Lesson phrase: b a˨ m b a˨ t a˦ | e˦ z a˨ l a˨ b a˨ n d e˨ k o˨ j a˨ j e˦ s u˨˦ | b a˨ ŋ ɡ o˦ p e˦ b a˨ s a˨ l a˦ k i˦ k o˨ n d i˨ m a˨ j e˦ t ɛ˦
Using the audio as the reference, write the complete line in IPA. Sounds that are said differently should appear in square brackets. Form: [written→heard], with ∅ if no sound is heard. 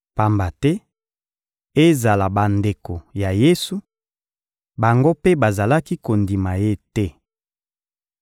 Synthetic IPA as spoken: [b→p] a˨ m b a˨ t [a˦→ɛ˦] | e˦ z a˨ l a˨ b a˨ n d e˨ k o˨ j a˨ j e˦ s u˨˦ | b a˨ ŋ ɡ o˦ p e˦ b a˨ [s→z] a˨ l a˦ k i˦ k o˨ n d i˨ m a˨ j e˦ t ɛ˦

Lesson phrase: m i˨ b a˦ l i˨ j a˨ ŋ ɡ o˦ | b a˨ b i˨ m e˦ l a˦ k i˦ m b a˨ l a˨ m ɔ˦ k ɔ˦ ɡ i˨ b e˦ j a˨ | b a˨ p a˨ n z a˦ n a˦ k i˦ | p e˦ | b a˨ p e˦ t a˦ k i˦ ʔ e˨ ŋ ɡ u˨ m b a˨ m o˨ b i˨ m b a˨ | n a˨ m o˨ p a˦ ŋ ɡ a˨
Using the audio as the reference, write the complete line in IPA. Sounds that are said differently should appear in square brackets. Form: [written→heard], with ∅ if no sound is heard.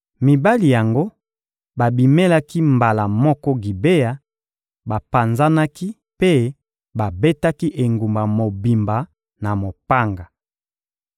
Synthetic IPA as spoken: m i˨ b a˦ l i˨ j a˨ ŋ ɡ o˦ | b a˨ b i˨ m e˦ l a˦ k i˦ m b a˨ l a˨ m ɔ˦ k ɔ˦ ɡ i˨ b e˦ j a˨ | b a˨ p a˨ n z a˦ n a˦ k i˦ | p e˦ | b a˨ [p→b] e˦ t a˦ k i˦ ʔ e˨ ŋ ɡ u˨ m b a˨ m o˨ b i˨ m b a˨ | n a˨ m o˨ p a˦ ŋ ɡ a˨

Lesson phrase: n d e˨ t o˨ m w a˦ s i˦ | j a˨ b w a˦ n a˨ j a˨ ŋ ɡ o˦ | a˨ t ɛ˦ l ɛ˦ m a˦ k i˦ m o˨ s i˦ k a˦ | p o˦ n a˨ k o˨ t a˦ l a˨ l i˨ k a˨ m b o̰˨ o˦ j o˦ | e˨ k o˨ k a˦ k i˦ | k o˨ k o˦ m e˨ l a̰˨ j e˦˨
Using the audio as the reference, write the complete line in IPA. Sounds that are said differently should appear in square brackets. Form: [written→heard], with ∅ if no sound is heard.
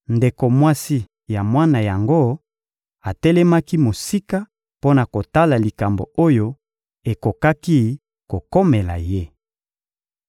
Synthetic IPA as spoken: n d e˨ [t→k] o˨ m w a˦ s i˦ | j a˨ [b→m] w a˦ n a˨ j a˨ ŋ ɡ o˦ | a˨ t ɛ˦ l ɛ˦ m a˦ k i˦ m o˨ s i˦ k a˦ | p o˦ n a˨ k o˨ t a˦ l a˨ l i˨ k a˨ m b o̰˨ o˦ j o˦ | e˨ k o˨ k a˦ k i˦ | k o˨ k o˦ m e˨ l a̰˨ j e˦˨

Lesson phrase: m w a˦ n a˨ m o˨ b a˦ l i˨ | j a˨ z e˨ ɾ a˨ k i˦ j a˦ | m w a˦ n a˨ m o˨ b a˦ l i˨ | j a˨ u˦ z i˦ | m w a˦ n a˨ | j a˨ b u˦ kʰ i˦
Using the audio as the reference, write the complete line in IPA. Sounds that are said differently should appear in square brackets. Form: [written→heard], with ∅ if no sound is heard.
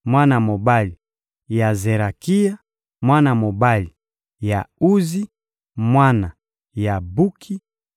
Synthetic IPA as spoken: m w a˦ n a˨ m o˨ b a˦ l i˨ | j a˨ z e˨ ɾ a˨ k i˦ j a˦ | m w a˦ n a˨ m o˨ b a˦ l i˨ | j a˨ u˦ z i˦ | m w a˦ n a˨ | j a˨ b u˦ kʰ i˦

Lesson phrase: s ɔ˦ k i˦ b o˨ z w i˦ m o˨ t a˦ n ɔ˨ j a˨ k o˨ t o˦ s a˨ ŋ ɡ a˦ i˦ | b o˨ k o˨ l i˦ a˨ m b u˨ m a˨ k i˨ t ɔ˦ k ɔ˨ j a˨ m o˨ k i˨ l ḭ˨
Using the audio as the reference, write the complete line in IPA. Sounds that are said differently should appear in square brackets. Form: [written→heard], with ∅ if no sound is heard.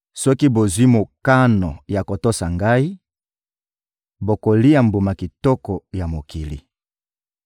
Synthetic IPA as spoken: s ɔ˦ k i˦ b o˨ z w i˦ m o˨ [t→k] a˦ n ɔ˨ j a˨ k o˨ t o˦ s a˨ ŋ ɡ a˦ i˦ | b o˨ k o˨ l i˦ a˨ m b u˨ m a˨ k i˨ t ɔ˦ k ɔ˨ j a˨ m o˨ k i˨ l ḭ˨

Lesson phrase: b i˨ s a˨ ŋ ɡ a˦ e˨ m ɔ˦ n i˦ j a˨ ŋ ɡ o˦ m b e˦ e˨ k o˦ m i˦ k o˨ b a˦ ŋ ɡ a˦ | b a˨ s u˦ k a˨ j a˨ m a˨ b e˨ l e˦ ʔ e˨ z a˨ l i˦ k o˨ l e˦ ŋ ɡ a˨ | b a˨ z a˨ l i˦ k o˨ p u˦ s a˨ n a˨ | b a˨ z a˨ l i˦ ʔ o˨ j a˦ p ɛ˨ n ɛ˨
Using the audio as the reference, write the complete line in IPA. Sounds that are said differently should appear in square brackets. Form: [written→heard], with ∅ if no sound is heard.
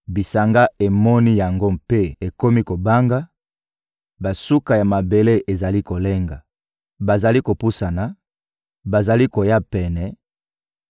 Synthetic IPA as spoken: b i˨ s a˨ ŋ ɡ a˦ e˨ m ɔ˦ n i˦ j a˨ ŋ ɡ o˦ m [b→p] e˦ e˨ k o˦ m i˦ k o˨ b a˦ ŋ ɡ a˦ | b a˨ s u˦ k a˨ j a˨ m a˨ b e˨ l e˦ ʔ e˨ z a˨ l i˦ k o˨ l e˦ ŋ ɡ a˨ | b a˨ z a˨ l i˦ k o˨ p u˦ s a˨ n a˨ | b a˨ z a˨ l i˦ [ʔ→k] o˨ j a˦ p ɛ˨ n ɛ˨

